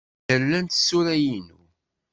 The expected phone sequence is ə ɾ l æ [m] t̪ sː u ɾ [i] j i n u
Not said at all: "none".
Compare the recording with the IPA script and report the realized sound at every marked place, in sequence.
n, æ

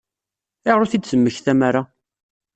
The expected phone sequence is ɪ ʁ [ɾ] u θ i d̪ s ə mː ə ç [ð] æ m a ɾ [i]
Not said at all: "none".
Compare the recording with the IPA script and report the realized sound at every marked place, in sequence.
ɾ, θ, a

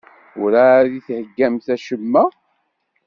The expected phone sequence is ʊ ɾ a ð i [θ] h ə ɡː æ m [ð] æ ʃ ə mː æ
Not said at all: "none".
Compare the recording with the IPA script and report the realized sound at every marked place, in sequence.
θ, θ

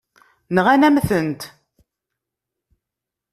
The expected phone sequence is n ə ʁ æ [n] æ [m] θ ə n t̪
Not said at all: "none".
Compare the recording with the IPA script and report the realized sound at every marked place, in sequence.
n, m

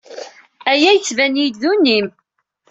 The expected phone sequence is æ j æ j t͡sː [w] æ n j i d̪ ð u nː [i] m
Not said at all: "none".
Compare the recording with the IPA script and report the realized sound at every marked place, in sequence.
v, i

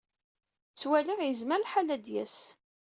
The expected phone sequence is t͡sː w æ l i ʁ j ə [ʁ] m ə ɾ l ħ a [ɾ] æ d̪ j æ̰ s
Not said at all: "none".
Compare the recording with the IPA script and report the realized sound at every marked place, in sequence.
z, l

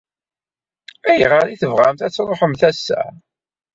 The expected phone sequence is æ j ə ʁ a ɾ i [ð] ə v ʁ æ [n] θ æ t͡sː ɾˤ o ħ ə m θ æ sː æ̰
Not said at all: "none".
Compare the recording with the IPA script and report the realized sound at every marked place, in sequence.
θ, m

